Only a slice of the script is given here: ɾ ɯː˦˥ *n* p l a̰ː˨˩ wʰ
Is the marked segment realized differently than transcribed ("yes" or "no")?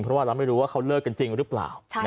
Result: yes